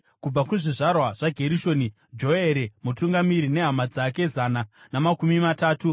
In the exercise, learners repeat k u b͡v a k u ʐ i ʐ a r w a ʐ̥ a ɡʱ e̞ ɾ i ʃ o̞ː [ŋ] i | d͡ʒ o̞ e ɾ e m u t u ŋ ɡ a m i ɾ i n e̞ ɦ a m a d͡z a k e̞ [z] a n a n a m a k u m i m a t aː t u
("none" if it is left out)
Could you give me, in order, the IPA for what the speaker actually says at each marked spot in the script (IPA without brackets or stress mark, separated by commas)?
n, z